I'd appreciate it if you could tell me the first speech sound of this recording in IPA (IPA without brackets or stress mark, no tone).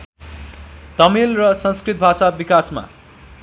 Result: t̪